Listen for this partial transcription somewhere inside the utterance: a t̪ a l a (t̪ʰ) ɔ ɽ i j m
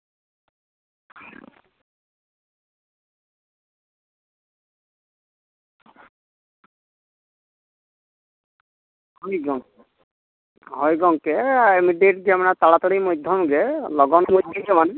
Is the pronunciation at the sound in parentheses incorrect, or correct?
incorrect